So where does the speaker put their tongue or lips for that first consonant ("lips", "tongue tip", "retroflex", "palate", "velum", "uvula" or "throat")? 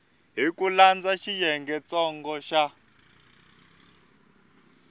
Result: throat